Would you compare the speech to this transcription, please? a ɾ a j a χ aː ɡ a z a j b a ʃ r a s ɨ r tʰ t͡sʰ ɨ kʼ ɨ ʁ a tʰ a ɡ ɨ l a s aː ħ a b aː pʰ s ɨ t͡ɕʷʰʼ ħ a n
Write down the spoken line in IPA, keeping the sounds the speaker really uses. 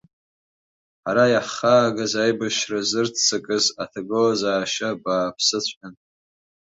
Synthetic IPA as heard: a ɾ a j a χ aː ɡ a z a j b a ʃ r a z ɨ r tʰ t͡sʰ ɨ kʼ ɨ z a tʰ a ɡ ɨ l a z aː ʃ a b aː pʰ s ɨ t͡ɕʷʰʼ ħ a n